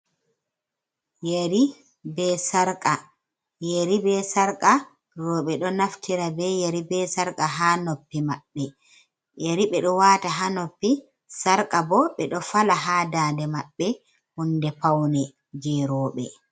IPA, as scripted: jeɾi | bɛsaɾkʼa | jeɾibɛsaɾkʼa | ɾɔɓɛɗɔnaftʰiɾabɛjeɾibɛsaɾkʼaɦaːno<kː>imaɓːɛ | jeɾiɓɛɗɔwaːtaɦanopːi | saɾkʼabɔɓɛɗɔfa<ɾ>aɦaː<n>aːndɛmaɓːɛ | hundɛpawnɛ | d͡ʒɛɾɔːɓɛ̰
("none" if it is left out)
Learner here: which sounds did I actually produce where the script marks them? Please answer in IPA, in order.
pː, l, d

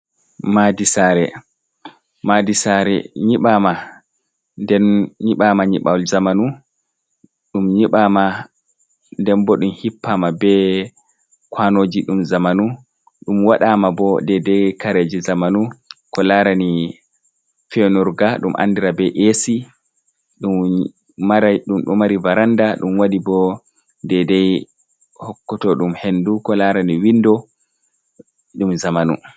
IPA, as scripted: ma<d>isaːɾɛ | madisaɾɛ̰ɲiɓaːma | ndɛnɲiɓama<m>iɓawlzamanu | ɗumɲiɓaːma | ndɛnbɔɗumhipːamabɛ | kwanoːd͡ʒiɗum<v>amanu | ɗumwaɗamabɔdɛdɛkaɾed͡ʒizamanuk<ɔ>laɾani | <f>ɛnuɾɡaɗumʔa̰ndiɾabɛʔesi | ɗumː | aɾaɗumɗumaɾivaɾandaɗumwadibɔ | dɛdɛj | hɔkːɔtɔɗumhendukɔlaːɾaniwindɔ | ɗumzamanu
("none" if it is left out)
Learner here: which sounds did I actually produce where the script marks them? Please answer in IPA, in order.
d, ɲ, z, ɔ, f

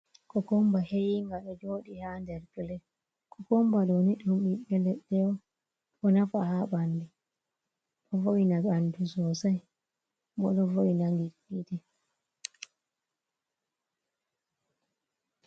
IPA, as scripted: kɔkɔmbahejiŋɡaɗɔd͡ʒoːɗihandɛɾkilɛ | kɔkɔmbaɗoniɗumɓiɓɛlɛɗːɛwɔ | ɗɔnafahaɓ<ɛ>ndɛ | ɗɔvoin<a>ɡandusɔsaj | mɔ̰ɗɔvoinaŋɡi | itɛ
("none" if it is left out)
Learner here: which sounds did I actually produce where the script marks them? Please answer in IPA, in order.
a, a

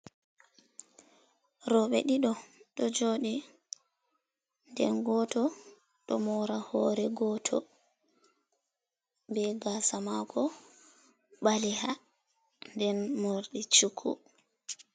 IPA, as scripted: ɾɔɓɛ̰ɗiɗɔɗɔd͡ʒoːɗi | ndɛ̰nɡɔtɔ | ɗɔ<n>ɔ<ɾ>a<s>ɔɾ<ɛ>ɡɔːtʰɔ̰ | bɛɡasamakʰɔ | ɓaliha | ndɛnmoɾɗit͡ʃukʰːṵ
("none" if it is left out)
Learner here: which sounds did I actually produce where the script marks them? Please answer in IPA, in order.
m, ɾ, h, ɛ

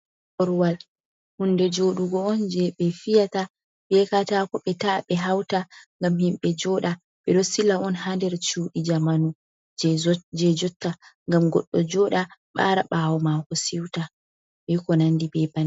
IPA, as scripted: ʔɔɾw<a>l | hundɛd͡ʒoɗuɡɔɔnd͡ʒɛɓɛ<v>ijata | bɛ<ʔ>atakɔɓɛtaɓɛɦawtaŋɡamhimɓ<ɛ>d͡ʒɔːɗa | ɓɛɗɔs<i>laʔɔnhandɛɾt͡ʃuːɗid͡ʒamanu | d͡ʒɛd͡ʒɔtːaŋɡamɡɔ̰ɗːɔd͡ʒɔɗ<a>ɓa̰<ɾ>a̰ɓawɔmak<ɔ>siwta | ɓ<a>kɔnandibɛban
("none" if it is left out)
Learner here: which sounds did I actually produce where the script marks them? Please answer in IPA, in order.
a, f, k, ɛ, i, a, ɾ, ɔ, ɛ

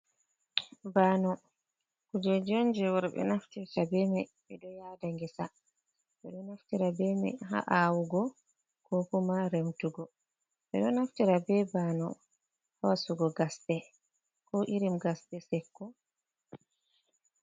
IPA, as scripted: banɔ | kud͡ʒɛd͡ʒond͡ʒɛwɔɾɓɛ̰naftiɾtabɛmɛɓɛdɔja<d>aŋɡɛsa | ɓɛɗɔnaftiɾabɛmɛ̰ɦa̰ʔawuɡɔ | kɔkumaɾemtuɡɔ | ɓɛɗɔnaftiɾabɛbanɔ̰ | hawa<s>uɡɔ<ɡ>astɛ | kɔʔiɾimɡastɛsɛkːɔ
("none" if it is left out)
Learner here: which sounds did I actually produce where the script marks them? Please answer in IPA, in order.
d, s, ɡ

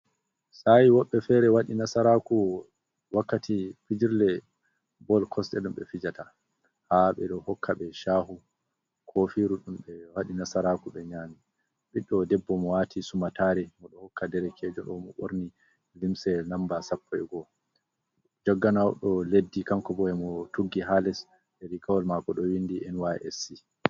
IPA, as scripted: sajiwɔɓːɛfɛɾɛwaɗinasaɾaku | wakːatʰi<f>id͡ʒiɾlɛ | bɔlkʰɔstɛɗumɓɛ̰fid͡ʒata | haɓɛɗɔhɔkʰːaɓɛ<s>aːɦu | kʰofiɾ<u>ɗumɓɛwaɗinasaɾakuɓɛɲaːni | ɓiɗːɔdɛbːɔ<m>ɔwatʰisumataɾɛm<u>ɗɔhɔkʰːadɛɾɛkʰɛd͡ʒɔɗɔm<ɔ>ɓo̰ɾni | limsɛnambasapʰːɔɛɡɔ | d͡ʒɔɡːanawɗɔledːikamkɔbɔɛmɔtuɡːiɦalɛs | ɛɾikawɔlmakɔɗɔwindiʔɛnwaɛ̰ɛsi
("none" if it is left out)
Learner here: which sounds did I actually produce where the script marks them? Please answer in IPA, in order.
f, ʃ, u, m, ɔ, ɔ

